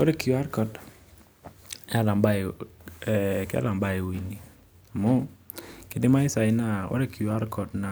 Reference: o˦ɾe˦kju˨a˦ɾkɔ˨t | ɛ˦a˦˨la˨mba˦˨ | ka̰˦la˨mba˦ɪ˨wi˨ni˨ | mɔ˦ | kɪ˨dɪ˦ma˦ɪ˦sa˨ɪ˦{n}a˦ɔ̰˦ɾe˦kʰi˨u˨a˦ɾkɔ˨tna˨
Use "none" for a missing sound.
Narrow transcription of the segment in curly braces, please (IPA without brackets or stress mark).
n